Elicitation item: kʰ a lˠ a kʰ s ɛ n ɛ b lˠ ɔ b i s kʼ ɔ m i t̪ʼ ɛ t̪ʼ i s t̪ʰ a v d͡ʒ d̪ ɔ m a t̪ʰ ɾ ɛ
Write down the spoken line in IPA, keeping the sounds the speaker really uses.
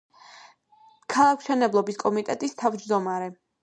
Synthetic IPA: kʰ a lˠ a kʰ ʃ ɛ n ɛ b lˠ ɔ b i s kʼ ɔ m i t̪ʼ ɛ t̪ʼ i s t̪ʰ a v d͡ʒ d̪ ɔ m a ɾ ɛ